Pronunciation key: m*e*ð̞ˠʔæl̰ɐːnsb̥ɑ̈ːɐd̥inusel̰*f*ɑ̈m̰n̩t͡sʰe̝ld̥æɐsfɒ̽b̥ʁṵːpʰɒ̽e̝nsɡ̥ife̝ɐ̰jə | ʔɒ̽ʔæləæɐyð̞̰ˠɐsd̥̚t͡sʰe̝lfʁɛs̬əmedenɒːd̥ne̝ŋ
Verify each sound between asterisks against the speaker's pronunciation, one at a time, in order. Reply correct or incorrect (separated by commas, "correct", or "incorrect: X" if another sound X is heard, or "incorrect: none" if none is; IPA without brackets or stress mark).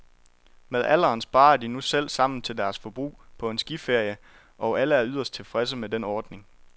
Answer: correct, incorrect: s